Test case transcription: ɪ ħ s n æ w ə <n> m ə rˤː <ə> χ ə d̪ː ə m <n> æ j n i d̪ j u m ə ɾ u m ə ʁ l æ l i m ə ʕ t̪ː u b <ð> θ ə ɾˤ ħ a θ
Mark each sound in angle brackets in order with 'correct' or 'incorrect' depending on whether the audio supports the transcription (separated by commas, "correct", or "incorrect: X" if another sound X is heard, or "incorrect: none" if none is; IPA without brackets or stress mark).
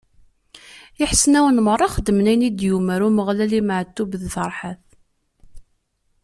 correct, incorrect: ɑ, correct, correct